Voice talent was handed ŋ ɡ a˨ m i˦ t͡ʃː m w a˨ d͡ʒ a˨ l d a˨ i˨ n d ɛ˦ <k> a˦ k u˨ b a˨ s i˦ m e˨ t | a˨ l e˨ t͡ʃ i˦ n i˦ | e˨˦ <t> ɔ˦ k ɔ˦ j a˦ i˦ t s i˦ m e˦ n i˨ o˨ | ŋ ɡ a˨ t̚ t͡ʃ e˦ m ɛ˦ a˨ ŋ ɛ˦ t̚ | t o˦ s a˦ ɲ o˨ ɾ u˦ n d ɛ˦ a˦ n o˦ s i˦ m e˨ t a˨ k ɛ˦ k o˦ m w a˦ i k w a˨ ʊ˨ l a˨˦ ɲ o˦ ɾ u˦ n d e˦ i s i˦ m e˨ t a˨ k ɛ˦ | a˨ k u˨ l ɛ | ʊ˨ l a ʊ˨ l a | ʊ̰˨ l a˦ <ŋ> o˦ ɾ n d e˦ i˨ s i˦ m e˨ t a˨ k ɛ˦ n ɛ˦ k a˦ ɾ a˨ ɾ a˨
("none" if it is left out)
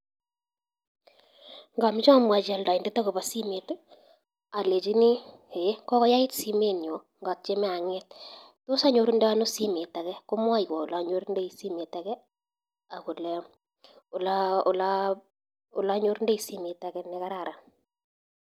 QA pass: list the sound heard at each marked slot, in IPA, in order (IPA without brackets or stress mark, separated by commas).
t, k, ɲ